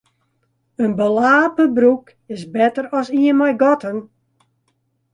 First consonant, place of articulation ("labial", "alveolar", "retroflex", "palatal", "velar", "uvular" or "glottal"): alveolar